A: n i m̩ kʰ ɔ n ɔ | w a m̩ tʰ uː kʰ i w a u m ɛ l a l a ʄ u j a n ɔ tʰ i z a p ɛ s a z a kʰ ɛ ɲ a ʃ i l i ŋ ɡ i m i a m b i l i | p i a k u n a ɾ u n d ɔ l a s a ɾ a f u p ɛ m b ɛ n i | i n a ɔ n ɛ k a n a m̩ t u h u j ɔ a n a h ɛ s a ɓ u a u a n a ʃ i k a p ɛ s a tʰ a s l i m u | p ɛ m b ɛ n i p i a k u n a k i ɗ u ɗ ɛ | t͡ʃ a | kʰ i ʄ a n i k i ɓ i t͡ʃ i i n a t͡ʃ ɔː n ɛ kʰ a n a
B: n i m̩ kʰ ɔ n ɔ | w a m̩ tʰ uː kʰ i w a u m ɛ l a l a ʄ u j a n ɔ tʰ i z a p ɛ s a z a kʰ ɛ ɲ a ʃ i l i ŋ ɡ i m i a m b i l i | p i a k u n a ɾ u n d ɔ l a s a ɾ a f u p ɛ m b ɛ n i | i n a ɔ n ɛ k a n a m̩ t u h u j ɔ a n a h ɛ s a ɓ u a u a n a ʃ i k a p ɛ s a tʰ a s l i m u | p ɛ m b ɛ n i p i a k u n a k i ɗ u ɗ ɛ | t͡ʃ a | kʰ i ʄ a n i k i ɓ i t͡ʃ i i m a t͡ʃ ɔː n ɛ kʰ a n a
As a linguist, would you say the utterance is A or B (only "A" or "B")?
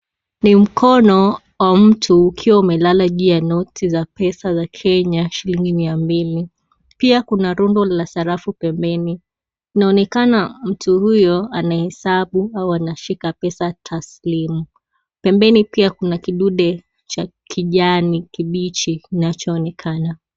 A